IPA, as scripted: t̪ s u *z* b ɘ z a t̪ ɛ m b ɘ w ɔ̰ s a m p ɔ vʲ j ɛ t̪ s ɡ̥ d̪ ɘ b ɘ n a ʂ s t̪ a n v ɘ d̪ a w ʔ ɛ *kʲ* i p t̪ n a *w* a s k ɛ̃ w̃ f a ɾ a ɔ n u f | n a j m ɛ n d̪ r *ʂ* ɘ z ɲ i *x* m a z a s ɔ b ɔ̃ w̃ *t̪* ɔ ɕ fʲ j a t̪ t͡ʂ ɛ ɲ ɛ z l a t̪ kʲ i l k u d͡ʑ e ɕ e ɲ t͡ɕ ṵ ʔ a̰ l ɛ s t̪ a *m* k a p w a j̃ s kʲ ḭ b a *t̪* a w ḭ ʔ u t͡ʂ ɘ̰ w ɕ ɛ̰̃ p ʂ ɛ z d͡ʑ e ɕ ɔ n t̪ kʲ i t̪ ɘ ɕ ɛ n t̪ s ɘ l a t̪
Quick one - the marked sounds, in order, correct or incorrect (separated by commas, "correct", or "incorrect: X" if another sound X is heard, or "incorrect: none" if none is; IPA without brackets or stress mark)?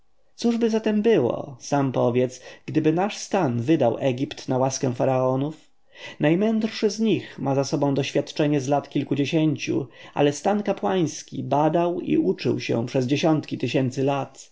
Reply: incorrect: ʐ, incorrect: ɡʲ, correct, correct, correct, incorrect: d̪, incorrect: n, incorrect: d̪